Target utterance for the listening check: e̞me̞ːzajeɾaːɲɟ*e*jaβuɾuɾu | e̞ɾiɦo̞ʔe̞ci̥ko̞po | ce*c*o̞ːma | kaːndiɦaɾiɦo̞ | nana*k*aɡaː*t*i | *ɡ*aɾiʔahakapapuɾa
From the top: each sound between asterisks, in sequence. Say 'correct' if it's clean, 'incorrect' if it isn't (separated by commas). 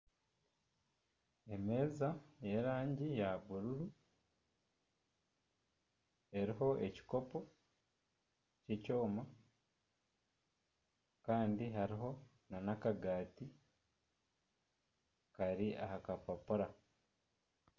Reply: incorrect, correct, correct, correct, incorrect